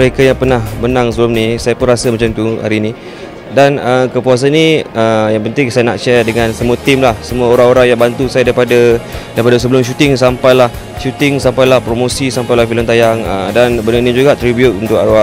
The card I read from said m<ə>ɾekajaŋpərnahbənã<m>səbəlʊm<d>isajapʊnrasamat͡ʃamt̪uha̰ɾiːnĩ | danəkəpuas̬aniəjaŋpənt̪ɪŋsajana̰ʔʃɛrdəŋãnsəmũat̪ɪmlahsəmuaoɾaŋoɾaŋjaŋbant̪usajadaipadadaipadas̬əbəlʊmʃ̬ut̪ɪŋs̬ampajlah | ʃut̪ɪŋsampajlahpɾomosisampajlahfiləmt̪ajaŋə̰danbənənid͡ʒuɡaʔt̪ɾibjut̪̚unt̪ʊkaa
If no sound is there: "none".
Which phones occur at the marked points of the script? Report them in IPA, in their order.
ə, ŋ, n

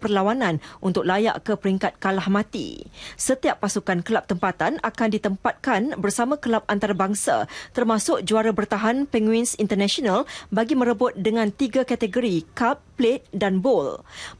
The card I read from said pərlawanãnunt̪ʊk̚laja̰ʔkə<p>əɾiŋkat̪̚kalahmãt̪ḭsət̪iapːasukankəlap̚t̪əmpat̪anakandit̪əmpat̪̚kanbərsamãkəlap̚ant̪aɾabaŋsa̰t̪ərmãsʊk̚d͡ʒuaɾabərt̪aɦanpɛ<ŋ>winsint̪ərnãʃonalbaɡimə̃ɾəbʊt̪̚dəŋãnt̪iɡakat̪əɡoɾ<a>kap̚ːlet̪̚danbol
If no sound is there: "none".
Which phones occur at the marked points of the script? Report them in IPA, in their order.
p, ŋ, i

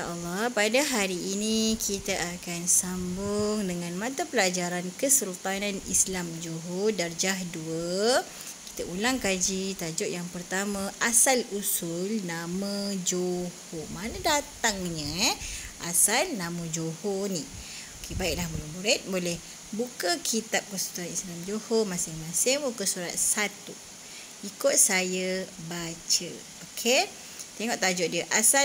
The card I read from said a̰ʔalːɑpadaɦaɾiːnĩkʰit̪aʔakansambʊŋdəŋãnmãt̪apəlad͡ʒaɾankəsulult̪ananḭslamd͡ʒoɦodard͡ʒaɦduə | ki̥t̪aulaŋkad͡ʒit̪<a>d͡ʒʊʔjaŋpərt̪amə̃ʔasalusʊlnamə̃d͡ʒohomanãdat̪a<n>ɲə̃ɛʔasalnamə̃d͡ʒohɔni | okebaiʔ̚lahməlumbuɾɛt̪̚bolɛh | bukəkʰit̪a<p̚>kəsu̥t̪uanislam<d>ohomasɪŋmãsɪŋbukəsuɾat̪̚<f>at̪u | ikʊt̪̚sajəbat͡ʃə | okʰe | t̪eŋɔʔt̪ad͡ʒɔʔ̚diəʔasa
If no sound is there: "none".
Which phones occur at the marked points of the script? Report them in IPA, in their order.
a, ŋ, p̚, d͡ʒ, s

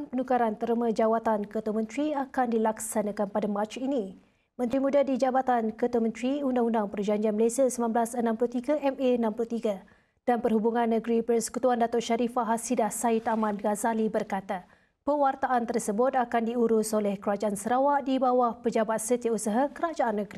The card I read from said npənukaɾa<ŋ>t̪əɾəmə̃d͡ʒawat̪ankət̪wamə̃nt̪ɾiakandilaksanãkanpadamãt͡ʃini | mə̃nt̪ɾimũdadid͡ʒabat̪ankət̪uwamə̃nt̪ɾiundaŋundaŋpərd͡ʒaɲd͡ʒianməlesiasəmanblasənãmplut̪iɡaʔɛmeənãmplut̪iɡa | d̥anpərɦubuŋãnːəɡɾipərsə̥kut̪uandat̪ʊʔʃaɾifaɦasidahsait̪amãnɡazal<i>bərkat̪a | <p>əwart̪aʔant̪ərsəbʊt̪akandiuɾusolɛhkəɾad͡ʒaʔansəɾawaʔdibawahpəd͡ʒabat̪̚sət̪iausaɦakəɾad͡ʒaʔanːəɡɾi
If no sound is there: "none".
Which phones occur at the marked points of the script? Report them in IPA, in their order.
n, i, p

